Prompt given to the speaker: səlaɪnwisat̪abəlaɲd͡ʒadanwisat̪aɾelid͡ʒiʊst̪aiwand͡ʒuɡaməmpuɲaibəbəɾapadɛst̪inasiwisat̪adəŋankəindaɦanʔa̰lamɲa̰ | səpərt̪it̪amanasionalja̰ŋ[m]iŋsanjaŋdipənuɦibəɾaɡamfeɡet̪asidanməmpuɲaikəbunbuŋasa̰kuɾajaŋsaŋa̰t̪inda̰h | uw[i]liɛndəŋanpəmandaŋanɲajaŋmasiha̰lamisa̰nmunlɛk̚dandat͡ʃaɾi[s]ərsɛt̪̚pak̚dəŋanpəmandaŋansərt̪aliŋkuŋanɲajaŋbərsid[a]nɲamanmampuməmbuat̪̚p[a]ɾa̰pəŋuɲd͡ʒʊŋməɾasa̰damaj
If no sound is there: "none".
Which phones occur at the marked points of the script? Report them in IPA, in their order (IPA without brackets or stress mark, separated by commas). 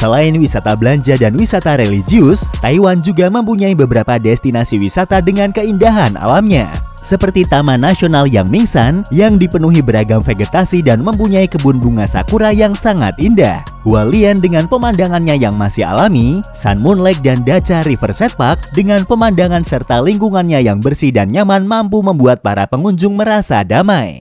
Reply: m, a, f, a, a